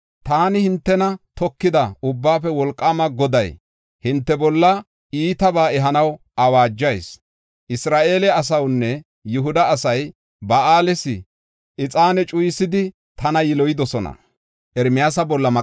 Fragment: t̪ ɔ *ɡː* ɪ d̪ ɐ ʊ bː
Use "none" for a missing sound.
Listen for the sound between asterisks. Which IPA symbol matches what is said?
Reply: kː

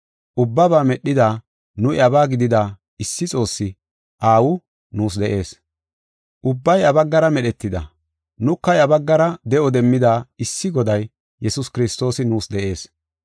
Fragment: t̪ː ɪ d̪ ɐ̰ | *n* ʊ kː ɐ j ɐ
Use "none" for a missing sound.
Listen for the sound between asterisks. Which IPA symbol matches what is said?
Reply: n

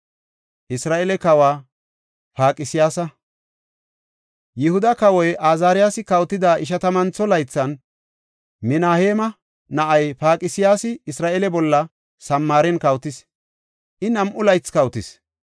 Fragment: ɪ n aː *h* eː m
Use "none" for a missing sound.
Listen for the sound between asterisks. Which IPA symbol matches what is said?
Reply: h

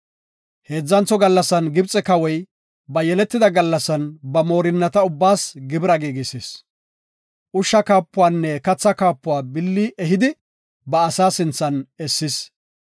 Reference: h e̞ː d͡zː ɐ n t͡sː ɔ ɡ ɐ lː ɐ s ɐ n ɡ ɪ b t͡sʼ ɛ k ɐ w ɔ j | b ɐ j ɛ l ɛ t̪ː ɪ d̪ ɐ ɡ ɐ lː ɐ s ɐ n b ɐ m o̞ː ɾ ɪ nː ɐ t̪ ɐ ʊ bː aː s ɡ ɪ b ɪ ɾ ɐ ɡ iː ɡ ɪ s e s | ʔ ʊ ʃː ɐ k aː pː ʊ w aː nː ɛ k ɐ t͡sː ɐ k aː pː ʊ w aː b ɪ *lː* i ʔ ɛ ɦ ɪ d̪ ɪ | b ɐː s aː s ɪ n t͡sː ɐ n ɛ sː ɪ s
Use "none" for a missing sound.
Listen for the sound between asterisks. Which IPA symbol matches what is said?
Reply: lː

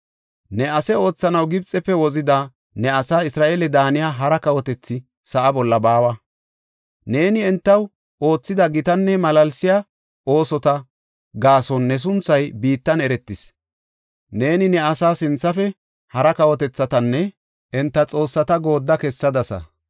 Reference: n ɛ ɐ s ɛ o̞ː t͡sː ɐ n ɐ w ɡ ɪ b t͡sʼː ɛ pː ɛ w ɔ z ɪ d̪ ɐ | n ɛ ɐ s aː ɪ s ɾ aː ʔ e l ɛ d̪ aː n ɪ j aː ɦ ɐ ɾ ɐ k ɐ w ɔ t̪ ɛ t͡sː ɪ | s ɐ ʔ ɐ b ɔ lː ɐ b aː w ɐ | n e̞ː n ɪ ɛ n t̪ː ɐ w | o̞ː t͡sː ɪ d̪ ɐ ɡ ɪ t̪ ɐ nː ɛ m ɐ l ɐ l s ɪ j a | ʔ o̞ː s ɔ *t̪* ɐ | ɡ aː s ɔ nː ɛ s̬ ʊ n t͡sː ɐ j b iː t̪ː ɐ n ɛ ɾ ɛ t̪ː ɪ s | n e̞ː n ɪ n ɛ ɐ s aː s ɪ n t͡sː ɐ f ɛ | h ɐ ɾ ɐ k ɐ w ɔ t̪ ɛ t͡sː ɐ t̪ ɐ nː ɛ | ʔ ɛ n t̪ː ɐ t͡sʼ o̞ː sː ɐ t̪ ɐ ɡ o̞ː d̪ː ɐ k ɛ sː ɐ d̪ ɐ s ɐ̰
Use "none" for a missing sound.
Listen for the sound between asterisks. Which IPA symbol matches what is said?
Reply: t̪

